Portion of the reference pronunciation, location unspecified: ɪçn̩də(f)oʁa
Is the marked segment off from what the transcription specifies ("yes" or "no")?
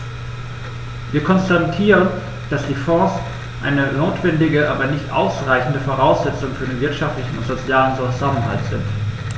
no